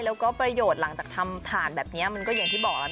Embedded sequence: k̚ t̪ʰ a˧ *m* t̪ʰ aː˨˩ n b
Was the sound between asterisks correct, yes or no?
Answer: yes